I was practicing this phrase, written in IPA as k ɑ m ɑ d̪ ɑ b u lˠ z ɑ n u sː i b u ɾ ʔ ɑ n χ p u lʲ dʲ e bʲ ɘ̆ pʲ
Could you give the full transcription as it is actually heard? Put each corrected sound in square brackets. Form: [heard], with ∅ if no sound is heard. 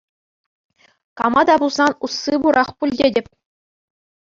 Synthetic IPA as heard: k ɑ m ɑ d̪ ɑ b u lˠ z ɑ n u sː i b u ɾ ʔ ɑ [∅] χ p u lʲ dʲ e [dʲ] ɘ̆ pʲ

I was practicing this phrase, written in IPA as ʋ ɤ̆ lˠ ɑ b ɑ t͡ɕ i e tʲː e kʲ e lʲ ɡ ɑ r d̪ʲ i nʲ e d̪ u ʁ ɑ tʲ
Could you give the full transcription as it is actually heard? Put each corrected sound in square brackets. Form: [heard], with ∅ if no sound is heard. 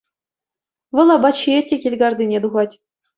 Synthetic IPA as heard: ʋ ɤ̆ lˠ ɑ b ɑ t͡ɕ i e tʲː e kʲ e lʲ ɡ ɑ r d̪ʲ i nʲ e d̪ u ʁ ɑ tʲ

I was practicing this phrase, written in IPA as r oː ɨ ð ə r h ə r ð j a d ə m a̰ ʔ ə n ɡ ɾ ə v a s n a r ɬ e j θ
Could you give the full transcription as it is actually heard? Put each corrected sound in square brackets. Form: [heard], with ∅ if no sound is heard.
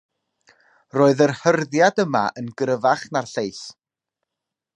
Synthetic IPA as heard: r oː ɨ ð ə r h ə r ð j a d ə m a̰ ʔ ə n ɡ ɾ ə v a [χ] n a r ɬ e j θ

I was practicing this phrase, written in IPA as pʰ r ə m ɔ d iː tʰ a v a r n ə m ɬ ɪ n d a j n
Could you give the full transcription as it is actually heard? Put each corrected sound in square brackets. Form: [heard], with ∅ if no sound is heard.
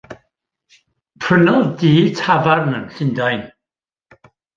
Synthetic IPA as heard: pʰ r ə [n] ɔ d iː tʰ a v a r n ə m ɬ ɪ n d a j n

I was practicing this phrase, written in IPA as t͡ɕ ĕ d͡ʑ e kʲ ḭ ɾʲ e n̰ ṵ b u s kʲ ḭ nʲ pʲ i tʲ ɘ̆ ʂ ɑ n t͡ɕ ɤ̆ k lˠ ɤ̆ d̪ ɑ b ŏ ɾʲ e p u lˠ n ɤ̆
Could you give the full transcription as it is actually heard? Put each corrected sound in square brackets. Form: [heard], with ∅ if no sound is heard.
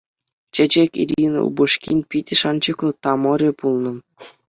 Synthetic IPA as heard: t͡ɕ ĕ d͡ʑ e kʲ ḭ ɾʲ [i] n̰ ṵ b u [ʂ] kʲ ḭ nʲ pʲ i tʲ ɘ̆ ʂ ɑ n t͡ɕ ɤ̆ k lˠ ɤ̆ [t̪] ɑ [m] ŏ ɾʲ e p u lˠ n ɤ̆

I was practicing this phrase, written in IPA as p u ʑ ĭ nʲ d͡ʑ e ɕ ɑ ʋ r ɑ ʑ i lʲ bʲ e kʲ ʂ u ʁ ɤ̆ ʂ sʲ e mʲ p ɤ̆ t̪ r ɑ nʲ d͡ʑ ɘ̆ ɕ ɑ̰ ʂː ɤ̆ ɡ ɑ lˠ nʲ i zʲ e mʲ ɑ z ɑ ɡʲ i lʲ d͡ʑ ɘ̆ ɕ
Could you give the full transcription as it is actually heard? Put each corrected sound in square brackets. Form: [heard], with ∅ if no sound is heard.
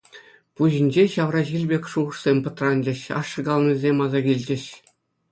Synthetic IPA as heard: p u ʑ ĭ nʲ d͡ʑ e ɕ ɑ ʋ r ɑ ʑ i lʲ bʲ e kʲ ʂ u ʁ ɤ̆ ʂ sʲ e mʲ p ɤ̆ t̪ r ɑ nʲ d͡ʑ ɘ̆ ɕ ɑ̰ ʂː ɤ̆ ɡ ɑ lˠ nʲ i zʲ e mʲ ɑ z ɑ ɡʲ i lʲ d͡ʑ ɘ̆ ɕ

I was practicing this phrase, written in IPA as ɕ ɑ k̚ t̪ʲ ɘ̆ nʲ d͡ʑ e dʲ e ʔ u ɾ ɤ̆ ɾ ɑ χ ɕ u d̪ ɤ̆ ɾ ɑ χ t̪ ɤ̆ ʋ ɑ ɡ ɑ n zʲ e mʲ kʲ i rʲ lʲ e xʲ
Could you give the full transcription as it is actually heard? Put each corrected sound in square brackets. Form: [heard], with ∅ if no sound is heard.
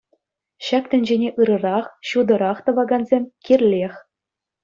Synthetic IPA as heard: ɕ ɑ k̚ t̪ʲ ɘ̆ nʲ d͡ʑ e [nʲ] e ʔ [ɯ] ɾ ɤ̆ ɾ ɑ χ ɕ u d̪ ɤ̆ ɾ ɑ χ t̪ ɤ̆ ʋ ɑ ɡ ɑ n zʲ e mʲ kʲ i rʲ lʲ e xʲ

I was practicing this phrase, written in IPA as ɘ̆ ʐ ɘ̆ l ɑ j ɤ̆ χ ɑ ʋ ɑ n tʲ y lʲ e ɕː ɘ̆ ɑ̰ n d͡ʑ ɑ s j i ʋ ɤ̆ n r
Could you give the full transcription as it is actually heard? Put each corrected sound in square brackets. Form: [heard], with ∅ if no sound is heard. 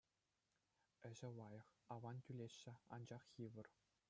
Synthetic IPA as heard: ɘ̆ [ʑ] ɘ̆ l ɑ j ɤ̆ χ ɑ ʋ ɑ n tʲ y lʲ e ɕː ɘ̆ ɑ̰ n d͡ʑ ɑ [χ] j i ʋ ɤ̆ [∅] r

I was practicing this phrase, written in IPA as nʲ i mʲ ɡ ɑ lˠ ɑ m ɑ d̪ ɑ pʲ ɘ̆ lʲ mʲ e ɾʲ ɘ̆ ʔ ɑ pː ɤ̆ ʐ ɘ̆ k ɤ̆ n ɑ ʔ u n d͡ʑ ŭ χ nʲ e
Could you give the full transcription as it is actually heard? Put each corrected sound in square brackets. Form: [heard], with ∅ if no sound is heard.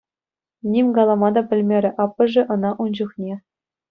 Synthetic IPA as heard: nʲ i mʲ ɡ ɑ lˠ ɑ m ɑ d̪ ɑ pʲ ɘ̆ lʲ mʲ e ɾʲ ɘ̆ ʔ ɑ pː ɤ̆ ʐ ɘ̆ [ʔ] ɤ̆ n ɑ ʔ u n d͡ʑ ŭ χ nʲ e

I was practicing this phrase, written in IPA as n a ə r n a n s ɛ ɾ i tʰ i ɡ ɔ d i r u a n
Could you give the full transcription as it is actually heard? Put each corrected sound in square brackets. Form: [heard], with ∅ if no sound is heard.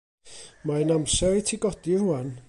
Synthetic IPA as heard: [m] a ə [∅] n a [m] s ɛ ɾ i tʰ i ɡ ɔ d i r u a n

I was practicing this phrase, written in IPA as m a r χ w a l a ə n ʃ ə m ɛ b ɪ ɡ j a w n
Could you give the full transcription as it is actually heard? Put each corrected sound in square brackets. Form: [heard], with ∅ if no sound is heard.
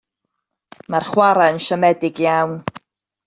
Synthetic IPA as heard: m a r χ w a [ɾ] a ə n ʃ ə m ɛ [d] ɪ ɡ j a w n

